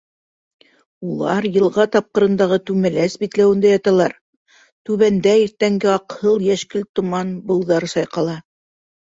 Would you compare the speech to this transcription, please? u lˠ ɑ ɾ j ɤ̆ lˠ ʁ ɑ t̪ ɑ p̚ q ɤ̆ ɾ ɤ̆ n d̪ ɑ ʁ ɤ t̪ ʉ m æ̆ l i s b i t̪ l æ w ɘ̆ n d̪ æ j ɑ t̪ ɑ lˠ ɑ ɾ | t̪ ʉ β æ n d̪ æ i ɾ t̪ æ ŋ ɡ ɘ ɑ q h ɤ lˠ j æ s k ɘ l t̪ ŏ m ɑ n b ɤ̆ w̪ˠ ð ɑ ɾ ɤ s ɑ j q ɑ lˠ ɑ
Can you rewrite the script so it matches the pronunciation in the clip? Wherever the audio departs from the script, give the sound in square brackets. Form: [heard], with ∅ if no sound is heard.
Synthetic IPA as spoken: u lˠ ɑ ɾ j ɤ̆ lˠ ʁ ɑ t̪ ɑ p̚ q ɤ̆ ɾ ɤ̆ n d̪ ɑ ʁ ɤ t̪ ʉ m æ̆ l [æ] s b i t̪ l æ w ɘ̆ n d̪ æ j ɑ t̪ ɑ lˠ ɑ ɾ | t̪ ʉ β æ n d̪ æ i ɾ t̪ æ ŋ ɡ ɘ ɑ q h ɤ lˠ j æ [ʃ] k ɘ l t̪ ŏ m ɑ n b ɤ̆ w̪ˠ ð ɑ ɾ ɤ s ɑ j q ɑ lˠ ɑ